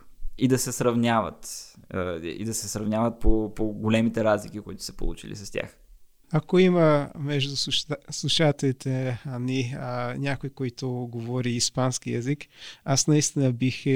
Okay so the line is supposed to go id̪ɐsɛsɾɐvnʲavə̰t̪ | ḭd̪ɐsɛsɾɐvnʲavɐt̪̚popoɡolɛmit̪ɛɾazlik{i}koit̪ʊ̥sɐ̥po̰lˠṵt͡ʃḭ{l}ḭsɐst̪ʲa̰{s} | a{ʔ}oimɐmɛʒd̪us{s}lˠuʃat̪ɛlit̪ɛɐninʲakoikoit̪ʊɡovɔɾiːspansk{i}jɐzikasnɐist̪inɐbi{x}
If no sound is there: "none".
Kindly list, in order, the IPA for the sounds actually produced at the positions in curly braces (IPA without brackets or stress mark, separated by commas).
i, l, x, k, s, i, x